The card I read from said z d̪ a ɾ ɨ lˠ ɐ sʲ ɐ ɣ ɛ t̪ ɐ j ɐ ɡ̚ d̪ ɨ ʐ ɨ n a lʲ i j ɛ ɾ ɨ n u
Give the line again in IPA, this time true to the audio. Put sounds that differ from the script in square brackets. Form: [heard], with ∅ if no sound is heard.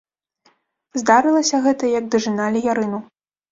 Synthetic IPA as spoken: z d̪ a ɾ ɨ lˠ ɐ sʲ ɐ ɣ ɛ t̪ ɐ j ɐ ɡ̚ d̪ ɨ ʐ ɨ n a lʲ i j [a] ɾ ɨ n u